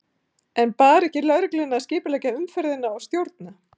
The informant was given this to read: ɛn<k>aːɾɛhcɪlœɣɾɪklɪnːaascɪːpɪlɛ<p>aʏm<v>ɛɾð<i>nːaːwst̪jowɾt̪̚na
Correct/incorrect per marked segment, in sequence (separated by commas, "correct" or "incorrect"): incorrect, incorrect, incorrect, incorrect